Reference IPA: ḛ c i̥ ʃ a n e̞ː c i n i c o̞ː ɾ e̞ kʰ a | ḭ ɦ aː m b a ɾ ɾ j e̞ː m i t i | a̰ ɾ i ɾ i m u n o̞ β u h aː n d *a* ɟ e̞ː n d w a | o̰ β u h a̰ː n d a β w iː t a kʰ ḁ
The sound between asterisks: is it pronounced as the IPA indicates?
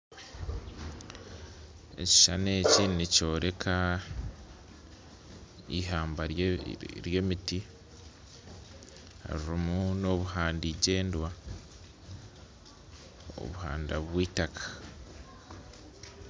no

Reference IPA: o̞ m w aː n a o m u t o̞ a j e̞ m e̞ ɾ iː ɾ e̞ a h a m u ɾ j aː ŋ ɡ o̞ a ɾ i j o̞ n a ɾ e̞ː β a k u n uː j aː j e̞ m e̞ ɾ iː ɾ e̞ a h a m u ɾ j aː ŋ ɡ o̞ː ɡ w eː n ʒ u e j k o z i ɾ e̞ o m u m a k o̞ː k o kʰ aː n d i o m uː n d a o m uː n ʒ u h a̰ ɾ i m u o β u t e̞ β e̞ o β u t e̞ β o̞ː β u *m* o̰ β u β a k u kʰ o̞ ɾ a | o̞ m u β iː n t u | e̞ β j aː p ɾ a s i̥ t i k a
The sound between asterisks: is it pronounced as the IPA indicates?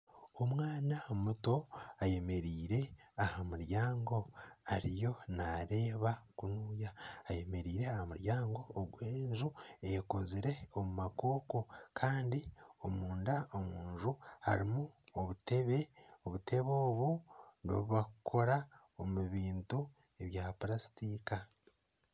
no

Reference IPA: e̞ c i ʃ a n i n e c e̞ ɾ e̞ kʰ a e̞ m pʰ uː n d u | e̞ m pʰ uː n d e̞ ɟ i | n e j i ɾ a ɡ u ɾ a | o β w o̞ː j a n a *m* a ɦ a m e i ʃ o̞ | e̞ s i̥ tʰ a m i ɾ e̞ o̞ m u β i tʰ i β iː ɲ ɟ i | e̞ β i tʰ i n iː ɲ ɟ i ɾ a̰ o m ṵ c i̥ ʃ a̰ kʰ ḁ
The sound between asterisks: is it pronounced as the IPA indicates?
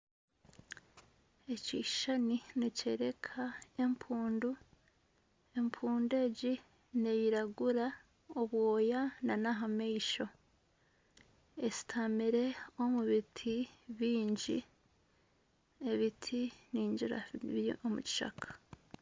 no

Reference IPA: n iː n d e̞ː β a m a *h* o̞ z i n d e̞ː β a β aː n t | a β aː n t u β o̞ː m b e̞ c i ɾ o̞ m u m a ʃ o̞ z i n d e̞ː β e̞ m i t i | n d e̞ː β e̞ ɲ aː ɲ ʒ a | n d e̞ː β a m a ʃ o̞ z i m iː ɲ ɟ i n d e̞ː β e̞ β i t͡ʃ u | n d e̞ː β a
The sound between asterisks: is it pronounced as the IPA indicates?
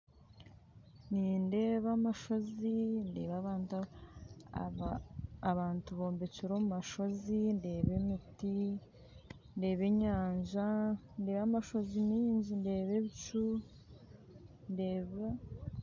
no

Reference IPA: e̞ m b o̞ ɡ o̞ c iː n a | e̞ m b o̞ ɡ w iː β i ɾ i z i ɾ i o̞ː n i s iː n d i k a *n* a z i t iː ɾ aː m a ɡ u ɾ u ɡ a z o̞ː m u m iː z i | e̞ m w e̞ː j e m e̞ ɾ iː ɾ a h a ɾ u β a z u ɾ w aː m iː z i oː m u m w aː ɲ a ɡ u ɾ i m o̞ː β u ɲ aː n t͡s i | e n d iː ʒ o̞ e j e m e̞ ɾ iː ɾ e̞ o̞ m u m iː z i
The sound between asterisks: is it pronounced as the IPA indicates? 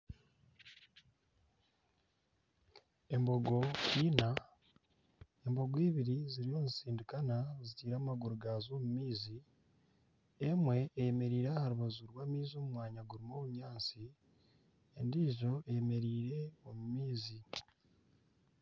yes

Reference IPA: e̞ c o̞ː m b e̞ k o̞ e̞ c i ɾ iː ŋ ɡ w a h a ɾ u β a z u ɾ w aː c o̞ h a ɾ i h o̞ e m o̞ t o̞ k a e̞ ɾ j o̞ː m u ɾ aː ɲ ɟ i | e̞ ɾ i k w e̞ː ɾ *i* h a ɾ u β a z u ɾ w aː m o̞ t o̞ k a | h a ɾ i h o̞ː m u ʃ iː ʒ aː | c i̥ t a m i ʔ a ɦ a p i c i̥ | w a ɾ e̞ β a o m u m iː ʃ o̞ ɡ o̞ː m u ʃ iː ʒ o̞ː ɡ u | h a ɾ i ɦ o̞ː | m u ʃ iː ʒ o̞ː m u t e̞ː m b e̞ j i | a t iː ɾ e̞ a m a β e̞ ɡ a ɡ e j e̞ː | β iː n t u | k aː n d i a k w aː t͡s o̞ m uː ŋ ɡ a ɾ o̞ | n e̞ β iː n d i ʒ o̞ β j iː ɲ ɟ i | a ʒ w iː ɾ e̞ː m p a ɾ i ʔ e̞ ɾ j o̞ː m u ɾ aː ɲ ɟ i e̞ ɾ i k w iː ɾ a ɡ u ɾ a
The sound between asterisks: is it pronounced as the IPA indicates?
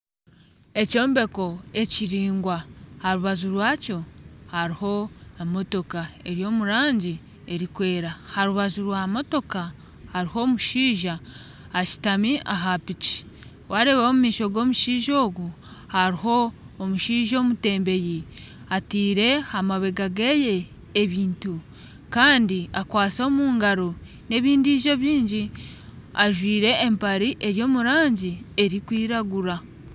no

